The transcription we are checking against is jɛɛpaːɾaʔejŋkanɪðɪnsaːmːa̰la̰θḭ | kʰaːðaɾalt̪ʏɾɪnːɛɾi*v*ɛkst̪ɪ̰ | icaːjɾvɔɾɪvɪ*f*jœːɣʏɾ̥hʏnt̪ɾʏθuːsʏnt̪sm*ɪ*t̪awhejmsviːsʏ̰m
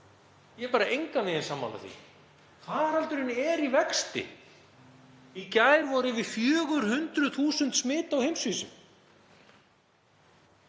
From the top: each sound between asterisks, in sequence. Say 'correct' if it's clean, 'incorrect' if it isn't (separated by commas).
correct, correct, incorrect